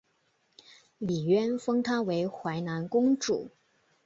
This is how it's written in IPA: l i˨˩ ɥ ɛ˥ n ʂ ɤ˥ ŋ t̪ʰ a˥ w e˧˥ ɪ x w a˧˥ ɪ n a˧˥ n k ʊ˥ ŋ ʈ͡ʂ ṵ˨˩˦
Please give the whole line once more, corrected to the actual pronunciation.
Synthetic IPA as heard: l i˨˩ ɥ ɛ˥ n f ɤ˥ ŋ t̪ʰ a˥ w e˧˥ ɪ x w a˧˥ ɪ n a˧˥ n k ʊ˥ ŋ ʈ͡ʂ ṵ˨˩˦